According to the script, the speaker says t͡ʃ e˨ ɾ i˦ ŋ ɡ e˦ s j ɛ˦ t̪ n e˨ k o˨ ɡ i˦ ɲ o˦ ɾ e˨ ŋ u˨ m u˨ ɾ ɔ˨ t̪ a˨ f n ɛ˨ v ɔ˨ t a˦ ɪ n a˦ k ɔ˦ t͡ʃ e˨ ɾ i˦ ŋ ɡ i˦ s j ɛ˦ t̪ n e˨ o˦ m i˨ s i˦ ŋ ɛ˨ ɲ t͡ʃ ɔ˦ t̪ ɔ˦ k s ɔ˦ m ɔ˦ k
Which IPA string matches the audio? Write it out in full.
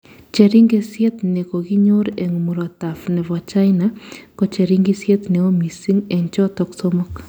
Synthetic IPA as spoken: t͡ʃ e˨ ɾ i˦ ŋ ɡ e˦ s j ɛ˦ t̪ n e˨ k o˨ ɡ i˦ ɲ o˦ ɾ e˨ ŋ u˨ m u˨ ɾ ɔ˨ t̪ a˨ f n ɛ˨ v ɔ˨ t͡ʃ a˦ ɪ n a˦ k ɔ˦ t͡ʃ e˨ ɾ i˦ ŋ ɡ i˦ s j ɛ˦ t̪ n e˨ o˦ m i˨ s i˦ ŋ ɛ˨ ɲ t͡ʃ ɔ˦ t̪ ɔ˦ k s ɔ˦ m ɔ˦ k